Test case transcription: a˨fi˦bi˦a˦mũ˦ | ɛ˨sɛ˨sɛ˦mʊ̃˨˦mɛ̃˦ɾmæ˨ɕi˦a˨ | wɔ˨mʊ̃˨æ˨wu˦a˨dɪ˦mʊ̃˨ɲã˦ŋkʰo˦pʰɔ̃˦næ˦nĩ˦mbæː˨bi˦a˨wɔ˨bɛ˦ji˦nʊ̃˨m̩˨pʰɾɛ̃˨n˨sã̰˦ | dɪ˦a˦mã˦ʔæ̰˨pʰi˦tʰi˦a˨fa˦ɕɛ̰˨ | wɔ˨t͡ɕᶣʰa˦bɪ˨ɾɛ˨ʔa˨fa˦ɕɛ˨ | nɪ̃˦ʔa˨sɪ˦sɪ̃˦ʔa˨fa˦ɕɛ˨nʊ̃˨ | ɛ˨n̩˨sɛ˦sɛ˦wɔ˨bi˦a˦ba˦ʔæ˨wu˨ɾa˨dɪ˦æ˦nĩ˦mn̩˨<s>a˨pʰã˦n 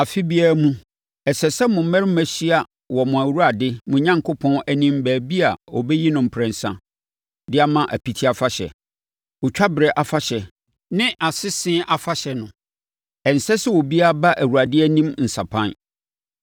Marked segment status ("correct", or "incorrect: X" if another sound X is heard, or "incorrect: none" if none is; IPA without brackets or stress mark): correct